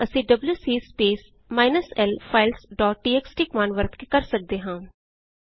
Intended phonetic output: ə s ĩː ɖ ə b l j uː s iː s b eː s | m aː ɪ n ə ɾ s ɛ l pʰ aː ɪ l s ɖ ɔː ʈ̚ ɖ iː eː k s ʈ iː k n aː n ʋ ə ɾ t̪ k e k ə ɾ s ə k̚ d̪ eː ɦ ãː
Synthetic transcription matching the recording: ə s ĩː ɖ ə b l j uː s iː s p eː s | m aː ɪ n ə s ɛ l pʰ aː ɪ l s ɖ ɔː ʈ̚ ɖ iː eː k s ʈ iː k m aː n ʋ ə ɾ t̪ k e k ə ɾ s ə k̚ d̪ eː ɦ ãː